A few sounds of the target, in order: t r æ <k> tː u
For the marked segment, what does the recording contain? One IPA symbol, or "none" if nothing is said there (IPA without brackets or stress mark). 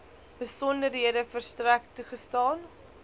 k